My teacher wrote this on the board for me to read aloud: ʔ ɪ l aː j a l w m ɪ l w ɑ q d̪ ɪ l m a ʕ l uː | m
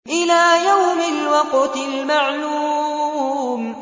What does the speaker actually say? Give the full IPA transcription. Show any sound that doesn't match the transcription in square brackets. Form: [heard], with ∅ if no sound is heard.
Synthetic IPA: ʔ ɪ l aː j a [∅] w m ɪ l w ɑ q [t̪] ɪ l m a ʕ l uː | m